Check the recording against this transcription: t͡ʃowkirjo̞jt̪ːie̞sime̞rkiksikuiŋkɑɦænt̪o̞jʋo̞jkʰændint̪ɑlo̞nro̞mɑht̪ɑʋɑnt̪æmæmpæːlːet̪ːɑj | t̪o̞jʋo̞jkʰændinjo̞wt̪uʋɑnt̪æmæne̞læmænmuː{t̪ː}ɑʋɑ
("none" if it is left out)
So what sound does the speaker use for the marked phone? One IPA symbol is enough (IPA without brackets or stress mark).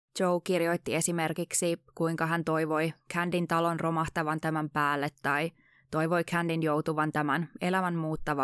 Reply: t̪ː